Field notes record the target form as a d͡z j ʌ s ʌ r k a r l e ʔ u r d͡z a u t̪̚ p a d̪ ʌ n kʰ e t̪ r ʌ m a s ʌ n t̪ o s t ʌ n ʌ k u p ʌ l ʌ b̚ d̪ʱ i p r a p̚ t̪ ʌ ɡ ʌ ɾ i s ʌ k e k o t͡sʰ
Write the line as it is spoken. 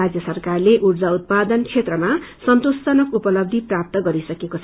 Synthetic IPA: a d͡z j ʌ s ʌ r k a r l e ʔ u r d͡z a u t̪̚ p a d̪ ʌ n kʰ e t̪ r ʌ m a s ʌ n t̪ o s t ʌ n ʌ k u p ʌ l ʌ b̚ d̪ʱ i p r a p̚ t̪ ʌ ɡ ʌ ɾ i s ʌ k e k o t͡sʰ